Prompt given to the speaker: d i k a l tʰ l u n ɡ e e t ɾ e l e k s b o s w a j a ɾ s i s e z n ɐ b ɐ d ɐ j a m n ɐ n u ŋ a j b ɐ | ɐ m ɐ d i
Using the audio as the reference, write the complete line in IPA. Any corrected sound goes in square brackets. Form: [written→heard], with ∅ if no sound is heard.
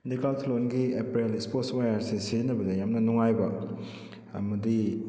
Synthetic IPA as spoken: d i k a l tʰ l [u→o] n ɡ [e→i] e [t→p] ɾ e l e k s [b→p] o s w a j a ɾ s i s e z n ɐ b ɐ d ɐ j a m n ɐ n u ŋ a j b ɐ | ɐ m ɐ d i